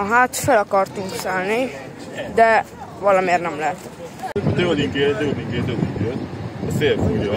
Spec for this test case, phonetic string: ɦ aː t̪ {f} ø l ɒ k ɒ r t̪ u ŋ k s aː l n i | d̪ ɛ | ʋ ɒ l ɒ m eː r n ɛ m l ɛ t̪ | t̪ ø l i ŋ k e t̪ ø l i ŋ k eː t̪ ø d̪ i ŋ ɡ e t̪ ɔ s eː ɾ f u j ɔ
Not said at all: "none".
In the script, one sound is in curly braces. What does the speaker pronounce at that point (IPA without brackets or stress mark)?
f